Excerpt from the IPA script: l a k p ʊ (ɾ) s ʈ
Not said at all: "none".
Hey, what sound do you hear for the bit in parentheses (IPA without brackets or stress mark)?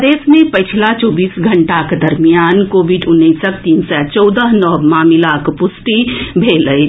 none